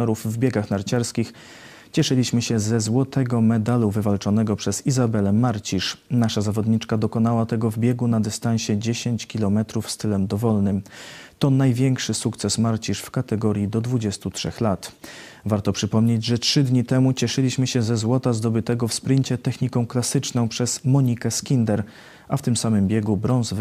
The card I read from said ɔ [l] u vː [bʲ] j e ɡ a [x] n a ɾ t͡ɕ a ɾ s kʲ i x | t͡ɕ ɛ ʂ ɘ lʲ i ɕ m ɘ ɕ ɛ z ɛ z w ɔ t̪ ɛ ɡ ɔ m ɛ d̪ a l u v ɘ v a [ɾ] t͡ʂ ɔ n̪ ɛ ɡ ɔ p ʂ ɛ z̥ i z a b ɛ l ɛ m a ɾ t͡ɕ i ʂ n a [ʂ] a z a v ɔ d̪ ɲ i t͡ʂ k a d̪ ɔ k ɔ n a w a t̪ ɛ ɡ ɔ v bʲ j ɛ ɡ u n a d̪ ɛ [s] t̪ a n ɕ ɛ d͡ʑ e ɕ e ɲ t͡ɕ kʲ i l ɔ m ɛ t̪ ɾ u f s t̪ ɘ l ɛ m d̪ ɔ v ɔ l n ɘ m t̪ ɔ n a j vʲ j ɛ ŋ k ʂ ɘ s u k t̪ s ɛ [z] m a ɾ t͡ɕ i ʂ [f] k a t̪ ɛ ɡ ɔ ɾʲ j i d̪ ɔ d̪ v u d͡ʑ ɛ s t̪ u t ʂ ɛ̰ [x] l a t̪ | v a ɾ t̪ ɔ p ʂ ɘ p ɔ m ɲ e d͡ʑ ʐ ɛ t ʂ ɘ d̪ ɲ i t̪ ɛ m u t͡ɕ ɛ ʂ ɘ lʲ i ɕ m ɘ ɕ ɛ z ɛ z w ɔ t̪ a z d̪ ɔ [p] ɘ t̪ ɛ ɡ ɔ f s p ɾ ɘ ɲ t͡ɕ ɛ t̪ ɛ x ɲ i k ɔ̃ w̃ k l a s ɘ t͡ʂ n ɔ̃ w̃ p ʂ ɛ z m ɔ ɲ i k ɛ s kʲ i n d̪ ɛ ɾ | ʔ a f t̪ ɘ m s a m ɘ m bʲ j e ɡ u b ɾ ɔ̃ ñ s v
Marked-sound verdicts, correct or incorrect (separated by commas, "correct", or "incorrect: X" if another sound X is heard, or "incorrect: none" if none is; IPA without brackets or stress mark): incorrect: ɾ, correct, correct, incorrect: l, correct, correct, incorrect: s, correct, correct, incorrect: b